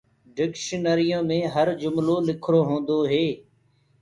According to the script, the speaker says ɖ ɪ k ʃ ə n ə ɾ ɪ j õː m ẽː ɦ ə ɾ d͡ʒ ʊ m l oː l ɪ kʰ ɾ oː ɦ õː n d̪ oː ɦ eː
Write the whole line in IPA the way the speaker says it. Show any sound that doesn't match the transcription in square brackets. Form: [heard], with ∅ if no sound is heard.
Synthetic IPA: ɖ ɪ k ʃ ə n ə ɾ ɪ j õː m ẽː ɦ ə ɾ d͡ʒ ʊ m l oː l ɪ kʰ ɾ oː ɦ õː n d̪ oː ɦ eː